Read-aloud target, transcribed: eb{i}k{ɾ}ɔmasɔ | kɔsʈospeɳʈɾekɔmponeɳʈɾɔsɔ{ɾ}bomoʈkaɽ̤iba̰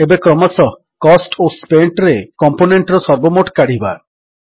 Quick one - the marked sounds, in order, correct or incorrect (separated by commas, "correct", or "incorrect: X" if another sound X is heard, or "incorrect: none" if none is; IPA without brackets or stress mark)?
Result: incorrect: e, correct, correct